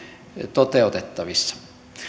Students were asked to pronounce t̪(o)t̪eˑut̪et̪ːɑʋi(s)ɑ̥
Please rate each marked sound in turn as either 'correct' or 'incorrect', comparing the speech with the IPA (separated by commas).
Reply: correct, incorrect